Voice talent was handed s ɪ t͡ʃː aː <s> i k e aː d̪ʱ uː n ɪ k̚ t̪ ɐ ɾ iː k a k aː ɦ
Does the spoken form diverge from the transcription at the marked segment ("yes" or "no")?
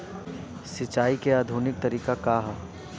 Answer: yes